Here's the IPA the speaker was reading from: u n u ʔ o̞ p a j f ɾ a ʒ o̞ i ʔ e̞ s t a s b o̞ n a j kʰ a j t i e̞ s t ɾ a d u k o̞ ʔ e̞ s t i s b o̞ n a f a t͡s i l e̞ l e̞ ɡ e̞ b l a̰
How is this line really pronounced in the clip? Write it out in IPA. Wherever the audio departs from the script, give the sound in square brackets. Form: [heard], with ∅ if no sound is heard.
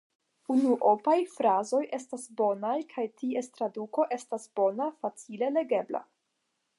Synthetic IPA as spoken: u n u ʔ o̞ p a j f ɾ a [z] o̞ [j] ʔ e̞ s t a s b o̞ n a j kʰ a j t i e̞ s t ɾ a d u k o̞ ʔ e̞ s t [a] s b o̞ n a f a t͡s i l e̞ l e̞ ɡ e̞ b l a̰